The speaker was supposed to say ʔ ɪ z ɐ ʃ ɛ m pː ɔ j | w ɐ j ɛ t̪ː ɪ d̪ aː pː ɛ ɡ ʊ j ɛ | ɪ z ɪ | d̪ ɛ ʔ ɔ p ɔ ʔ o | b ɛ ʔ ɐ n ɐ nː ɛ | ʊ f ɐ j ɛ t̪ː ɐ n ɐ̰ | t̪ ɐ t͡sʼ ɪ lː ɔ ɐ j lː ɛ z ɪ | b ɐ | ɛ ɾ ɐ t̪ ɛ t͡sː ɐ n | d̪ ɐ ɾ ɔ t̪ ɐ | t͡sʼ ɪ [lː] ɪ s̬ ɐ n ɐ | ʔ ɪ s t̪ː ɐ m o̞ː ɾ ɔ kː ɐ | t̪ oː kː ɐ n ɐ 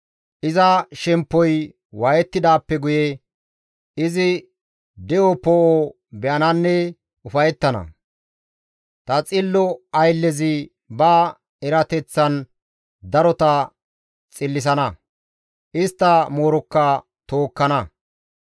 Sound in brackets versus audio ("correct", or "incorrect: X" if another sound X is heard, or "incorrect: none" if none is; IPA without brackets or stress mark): correct